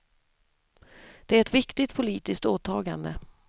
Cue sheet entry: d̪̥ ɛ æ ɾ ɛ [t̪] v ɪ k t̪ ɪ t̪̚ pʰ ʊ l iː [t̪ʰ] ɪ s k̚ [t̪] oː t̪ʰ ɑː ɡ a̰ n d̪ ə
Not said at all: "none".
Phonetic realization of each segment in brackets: t̪, t̪, t̪

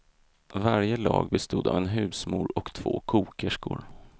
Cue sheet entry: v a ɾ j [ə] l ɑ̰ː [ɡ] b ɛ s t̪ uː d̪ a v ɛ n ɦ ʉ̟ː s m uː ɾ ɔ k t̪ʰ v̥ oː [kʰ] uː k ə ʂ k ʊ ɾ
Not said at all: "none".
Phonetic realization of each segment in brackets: ə, ɡ, kʰ

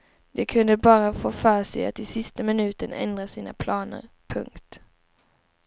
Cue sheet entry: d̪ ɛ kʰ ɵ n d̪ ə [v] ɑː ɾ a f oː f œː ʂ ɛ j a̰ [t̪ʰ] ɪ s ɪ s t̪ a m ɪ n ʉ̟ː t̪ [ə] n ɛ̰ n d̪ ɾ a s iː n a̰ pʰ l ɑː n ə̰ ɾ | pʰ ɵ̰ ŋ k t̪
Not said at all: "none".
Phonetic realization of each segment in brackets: b, t̪, ə

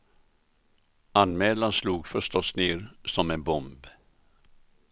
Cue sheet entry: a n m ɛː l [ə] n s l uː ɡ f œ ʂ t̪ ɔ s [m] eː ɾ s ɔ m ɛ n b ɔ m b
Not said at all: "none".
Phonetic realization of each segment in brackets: a, n

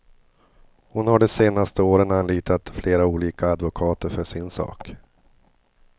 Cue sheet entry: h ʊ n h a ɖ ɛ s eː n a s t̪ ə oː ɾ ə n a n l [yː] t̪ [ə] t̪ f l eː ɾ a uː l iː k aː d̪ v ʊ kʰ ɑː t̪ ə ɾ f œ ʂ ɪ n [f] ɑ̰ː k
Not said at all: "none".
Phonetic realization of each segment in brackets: iː, a, s

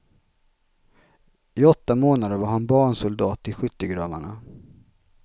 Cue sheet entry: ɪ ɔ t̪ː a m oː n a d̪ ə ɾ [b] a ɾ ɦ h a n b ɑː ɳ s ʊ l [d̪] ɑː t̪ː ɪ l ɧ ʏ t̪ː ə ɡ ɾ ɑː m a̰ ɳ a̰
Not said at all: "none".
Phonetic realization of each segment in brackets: v, d̪

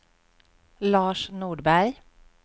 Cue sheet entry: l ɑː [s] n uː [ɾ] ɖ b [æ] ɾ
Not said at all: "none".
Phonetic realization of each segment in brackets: ʃ, none, æ

